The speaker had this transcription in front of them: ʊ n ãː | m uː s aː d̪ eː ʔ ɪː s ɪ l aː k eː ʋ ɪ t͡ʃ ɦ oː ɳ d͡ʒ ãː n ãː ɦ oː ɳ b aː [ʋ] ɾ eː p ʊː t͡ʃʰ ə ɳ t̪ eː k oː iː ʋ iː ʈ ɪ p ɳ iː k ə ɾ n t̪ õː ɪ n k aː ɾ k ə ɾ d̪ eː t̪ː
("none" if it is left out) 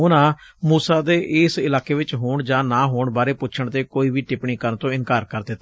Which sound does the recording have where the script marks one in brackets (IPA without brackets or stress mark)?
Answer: none